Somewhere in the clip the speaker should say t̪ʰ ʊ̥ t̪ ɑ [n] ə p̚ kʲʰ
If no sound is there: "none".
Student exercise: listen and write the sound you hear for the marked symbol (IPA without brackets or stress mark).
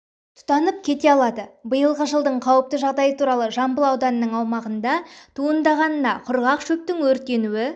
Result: n